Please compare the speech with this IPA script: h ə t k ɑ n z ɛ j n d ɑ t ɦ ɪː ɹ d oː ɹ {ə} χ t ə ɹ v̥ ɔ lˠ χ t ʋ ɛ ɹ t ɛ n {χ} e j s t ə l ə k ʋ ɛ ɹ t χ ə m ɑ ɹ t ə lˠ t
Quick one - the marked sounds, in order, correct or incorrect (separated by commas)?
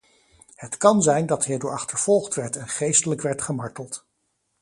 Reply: incorrect, correct